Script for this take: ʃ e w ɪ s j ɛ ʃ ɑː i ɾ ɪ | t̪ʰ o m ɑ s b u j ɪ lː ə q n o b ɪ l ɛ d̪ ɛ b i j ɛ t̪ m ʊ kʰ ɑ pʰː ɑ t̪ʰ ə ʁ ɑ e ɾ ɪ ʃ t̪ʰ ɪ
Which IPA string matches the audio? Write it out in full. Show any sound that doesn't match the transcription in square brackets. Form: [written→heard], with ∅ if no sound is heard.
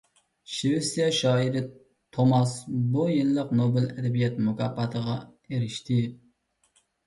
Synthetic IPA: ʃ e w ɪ s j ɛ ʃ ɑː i ɾ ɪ | t̪ʰ o m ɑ s b u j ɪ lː ə q n o b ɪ l ɛ d̪ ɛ b i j ɛ t̪ m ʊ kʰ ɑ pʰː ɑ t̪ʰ ə ʁ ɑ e ɾ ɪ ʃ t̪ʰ ɪ